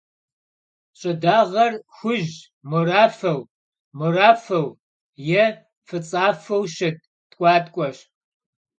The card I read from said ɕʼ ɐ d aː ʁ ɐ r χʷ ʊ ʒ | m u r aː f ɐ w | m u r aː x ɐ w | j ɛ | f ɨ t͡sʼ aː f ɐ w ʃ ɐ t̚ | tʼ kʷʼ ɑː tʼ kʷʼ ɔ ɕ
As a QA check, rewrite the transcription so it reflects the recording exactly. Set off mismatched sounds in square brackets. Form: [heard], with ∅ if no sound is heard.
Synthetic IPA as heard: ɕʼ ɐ d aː ʁ ɐ r [xʷ] ʊ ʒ | m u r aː f ɐ w | m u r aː [f] ɐ w | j ɛ | f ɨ t͡sʼ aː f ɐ w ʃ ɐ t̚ | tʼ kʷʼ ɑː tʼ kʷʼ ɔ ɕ